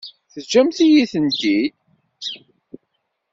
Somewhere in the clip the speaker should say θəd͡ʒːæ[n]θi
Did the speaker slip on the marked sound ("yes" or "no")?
yes